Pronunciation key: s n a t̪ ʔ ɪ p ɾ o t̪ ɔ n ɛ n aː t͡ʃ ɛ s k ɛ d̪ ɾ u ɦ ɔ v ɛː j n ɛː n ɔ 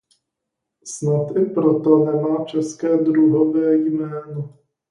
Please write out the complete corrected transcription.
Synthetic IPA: s n a t̪ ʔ ɪ p ɾ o t̪ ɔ n ɛ m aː t͡ʃ ɛ s k ɛː d̪ ɾ u ɦ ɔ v ɛː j m ɛː n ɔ